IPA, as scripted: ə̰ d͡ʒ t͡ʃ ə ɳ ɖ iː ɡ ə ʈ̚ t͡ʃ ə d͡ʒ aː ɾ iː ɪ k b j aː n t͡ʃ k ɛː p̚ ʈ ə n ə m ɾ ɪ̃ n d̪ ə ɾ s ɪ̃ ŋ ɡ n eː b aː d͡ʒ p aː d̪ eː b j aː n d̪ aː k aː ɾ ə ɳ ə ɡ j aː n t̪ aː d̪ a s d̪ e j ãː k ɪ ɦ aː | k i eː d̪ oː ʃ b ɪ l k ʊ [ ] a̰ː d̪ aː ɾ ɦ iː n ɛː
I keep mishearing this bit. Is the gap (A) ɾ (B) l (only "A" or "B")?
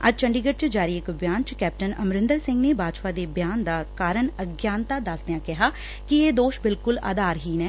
B